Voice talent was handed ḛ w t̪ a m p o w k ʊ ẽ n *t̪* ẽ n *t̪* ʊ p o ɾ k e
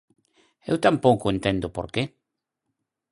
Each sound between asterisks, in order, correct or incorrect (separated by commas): correct, incorrect